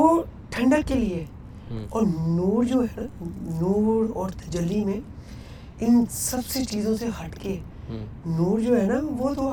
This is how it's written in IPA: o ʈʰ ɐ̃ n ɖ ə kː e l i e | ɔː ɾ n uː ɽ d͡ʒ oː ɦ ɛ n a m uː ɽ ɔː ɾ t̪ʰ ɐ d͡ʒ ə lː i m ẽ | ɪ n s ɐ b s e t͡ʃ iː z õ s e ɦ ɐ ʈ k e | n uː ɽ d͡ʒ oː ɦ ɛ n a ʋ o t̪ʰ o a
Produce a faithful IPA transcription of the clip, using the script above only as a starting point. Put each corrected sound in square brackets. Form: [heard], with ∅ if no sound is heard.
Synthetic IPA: o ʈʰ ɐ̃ [ɳ] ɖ ə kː e l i e | ɔː ɾ n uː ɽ d͡ʒ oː ɦ ɛ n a [n] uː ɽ ɔː ɾ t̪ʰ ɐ d͡ʒ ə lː i m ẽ | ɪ n s ɐ b s e t͡ʃ iː z õ s e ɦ ɐ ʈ k e | n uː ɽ d͡ʒ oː ɦ ɛ n a ʋ o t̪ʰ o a